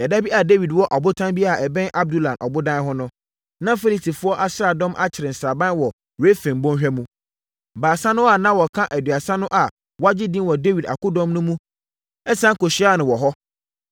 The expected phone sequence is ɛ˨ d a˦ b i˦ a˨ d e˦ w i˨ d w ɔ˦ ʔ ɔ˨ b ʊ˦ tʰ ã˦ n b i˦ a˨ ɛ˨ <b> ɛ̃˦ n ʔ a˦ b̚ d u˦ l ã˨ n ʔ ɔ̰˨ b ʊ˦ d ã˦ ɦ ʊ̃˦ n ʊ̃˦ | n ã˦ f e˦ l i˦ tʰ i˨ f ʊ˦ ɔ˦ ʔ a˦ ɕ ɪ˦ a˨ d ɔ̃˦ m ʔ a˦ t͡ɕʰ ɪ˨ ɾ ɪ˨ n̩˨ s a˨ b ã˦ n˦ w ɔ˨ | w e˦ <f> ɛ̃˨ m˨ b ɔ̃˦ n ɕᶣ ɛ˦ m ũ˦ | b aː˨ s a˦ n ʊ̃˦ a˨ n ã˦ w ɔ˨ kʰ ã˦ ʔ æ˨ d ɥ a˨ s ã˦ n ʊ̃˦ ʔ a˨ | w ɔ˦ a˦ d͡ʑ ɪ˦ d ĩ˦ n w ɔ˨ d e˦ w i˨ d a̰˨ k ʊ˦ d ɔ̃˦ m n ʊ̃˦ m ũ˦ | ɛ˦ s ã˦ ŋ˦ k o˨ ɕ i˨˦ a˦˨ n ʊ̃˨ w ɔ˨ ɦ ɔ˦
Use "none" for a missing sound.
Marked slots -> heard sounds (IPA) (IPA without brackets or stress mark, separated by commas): b, f